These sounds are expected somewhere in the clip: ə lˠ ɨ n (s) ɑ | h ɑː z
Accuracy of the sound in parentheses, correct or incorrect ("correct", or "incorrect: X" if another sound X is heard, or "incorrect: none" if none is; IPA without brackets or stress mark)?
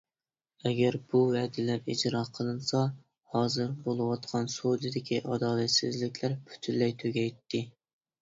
correct